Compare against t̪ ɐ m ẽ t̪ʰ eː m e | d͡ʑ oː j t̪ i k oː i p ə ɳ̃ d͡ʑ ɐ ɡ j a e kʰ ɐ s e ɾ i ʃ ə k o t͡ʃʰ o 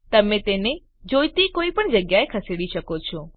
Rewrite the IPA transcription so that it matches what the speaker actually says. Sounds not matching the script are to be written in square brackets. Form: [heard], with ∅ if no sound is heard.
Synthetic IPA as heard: t̪ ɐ m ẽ [t̪] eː [n] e | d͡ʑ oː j t̪ i k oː i p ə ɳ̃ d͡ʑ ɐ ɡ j a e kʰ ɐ s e [ɽ] i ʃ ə k o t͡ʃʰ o